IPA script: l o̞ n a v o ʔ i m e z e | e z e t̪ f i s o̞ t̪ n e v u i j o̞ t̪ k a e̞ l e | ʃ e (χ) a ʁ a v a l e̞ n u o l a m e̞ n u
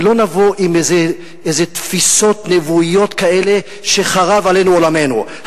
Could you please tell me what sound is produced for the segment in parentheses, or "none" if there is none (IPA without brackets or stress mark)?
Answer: χ